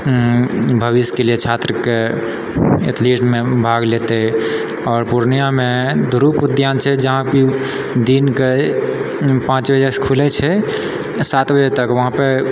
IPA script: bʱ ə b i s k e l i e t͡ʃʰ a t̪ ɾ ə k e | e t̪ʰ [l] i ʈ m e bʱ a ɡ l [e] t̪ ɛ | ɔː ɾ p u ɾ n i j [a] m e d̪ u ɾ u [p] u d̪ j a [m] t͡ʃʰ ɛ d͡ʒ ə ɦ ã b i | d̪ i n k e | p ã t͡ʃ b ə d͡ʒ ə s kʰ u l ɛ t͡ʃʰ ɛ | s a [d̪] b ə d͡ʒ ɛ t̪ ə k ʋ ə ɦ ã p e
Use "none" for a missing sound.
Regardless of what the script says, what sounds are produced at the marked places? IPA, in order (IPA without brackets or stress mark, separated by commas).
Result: l, e, a, p, n, t̪